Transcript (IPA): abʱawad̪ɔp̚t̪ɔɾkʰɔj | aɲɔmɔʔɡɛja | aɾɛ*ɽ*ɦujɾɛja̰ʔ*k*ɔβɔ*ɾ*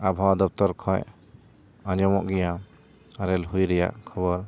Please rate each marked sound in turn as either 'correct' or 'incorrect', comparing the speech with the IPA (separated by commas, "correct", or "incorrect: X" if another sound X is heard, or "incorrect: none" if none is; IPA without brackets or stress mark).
incorrect: l, incorrect: kʰ, correct